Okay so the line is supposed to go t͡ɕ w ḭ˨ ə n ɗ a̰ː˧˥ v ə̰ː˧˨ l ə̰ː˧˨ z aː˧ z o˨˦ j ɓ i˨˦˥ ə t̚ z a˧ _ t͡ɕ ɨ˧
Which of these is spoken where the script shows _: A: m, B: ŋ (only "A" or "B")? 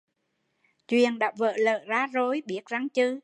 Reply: B